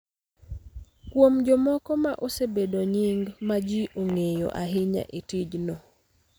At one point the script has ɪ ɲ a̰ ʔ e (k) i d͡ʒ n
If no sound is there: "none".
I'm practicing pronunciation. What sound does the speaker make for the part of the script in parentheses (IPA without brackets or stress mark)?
t